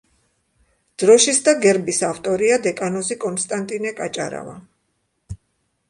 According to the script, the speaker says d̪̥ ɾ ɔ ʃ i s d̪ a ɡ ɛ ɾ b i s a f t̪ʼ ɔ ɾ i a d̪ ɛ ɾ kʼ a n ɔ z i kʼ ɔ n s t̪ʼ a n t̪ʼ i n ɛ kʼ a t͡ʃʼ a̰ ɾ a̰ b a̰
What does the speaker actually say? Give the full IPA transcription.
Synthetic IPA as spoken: d̪̥ ɾ ɔ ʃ i s d̪ a ɡ ɛ ɾ b i s a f t̪ʼ ɔ ɾ i a d̪ ɛ kʼ a n ɔ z i kʼ ɔ n s t̪ʼ a n t̪ʼ i n ɛ kʼ a t͡ʃʼ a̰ ɾ a̰ v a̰